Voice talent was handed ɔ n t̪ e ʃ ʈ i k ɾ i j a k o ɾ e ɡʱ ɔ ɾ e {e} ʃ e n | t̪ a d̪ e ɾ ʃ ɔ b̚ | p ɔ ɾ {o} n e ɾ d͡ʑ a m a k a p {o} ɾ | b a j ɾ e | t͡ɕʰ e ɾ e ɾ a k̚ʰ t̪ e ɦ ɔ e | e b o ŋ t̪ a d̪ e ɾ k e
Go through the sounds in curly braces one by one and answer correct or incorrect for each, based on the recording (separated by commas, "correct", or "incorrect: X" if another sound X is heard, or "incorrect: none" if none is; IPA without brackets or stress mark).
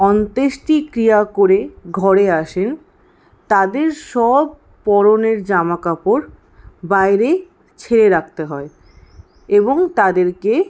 incorrect: a, correct, correct